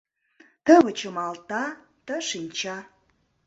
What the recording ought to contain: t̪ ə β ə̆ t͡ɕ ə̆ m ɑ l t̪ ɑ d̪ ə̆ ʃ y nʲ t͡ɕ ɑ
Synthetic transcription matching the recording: t̪ ə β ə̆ t͡ɕ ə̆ m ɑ l t̪ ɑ t̪ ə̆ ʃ i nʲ t͡ɕ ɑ